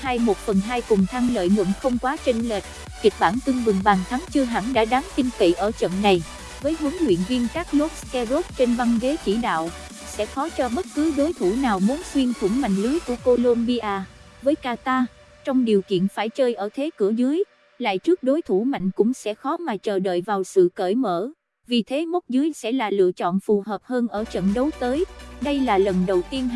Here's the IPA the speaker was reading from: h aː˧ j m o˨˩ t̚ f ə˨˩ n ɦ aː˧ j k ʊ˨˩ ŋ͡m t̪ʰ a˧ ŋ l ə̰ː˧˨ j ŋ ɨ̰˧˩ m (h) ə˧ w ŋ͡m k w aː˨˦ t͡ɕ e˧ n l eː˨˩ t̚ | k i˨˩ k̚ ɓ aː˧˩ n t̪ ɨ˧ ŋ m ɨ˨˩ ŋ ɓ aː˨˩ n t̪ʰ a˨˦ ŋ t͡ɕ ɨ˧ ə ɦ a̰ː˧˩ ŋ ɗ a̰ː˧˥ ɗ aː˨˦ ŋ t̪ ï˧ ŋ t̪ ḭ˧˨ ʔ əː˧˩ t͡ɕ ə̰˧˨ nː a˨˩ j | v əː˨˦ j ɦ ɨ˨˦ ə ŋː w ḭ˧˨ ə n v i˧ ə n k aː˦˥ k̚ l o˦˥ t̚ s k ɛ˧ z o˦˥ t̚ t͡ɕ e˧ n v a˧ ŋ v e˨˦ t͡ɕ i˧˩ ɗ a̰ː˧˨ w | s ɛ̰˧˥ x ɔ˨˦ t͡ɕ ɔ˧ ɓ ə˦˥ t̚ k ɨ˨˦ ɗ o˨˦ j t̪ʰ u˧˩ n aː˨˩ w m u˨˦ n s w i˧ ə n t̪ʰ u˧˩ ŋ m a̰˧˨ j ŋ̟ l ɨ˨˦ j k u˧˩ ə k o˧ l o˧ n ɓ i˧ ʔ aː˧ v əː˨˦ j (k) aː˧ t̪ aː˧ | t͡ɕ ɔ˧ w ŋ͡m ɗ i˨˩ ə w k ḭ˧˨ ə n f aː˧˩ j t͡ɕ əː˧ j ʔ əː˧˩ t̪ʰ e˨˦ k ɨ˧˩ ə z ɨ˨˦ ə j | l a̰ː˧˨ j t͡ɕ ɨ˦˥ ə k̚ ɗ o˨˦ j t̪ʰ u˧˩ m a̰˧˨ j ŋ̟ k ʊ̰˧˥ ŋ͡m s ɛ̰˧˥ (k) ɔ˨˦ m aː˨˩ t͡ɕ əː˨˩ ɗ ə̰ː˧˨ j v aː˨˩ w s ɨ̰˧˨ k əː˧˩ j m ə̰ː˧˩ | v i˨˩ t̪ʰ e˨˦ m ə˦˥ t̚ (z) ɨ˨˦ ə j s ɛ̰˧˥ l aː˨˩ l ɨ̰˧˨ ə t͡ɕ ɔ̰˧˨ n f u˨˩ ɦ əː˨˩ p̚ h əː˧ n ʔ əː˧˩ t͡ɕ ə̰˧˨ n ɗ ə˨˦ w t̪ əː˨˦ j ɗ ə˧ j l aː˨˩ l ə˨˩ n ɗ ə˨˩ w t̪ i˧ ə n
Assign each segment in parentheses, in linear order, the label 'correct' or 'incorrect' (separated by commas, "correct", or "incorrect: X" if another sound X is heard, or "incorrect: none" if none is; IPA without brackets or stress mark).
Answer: incorrect: x, correct, incorrect: x, correct